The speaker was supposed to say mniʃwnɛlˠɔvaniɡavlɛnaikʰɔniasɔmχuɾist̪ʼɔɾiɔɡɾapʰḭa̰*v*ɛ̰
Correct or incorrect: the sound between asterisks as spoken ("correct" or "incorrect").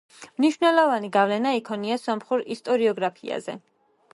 incorrect